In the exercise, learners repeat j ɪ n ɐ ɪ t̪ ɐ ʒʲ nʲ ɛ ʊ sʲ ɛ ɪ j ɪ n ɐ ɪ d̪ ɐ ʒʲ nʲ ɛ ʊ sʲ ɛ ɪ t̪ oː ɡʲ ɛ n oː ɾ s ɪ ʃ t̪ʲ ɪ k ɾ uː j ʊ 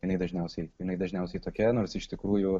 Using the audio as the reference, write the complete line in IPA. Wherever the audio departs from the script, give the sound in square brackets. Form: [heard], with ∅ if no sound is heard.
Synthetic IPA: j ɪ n ɐ ɪ [d̪] ɐ ʒʲ nʲ ɛ ʊ sʲ ɛ ɪ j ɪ n ɐ ɪ d̪ ɐ ʒʲ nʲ ɛ ʊ sʲ ɛ ɪ t̪ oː [kʲ] ɛ n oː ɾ s ɪ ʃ t̪ʲ ɪ k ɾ uː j ʊ